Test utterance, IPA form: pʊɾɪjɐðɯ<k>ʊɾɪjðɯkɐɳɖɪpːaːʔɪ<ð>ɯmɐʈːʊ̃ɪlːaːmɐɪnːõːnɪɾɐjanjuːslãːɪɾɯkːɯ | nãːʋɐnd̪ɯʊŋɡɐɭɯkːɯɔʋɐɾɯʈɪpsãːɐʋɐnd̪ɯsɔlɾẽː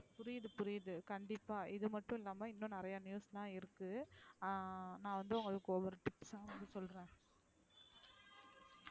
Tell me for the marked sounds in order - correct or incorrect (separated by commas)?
incorrect, correct